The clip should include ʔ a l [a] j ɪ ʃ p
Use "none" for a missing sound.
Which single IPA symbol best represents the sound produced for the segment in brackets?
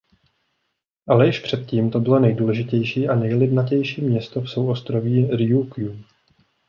ɛ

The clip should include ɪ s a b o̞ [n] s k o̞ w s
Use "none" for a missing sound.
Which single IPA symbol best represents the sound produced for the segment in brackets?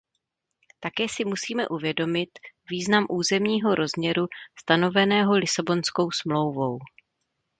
n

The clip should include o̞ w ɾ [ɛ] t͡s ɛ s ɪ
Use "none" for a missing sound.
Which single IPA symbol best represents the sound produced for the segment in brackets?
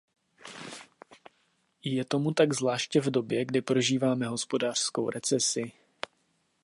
ɛ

